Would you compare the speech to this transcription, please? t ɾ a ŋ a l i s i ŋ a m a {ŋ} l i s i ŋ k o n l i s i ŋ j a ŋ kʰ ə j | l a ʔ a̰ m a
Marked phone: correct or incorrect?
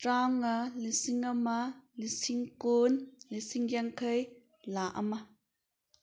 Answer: incorrect